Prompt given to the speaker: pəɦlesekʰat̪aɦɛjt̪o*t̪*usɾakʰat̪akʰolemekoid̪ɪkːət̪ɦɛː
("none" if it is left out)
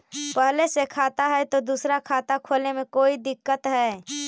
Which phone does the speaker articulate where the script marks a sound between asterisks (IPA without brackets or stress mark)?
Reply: d̪